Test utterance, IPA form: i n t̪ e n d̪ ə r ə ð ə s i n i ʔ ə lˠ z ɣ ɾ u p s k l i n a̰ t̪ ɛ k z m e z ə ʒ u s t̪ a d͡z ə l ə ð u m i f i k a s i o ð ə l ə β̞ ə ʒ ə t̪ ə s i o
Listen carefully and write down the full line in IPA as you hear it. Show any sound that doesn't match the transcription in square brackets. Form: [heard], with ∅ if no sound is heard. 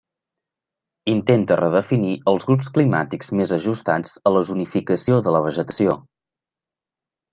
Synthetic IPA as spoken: i n t̪ e n [t̪] ə r ə ð ə [f] i n i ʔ ə lˠ z ɣ ɾ u p s k l i [m] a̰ t̪ [i] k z m e z ə ʒ u s t̪ a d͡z ə l ə [z] u [n] i f i k [ə] s i o ð ə l ə β̞ ə ʒ ə t̪ ə s i o